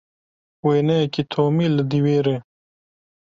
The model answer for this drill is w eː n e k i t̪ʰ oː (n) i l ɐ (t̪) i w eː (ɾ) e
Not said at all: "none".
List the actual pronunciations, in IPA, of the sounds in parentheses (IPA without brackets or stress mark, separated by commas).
m, d̪, ɾ